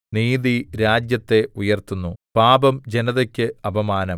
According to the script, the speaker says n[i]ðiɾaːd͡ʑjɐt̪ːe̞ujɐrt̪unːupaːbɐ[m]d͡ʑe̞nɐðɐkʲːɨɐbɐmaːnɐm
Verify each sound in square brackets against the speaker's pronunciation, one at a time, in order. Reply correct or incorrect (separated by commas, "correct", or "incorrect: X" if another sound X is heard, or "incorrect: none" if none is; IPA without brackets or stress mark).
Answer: incorrect: iː, correct